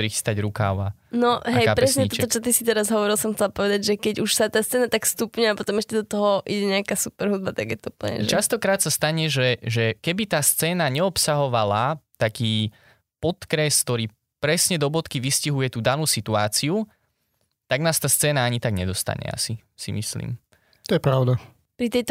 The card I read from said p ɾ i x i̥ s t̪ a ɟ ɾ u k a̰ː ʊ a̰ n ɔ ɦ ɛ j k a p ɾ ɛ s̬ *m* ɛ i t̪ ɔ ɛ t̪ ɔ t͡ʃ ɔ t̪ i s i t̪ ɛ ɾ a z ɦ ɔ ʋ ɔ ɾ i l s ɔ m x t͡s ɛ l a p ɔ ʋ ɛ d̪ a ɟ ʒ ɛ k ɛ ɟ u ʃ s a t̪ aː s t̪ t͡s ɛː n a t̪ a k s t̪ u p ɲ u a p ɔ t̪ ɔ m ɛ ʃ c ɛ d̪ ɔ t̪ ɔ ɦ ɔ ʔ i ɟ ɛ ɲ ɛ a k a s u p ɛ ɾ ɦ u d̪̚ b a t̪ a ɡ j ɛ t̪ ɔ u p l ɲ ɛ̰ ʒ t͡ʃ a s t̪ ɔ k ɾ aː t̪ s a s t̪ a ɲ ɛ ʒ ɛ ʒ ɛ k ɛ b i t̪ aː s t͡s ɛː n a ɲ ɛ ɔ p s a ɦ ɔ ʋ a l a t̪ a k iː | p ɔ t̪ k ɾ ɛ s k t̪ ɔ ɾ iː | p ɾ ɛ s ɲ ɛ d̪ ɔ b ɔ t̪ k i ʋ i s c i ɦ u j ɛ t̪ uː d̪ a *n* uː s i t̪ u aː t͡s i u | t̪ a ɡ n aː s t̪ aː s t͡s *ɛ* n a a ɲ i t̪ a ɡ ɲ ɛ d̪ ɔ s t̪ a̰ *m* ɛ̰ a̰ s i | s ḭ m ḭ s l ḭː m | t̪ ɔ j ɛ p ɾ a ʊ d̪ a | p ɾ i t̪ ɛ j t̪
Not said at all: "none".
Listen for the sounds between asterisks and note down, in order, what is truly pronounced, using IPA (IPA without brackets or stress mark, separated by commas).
ɲ, n, ɛː, ɲ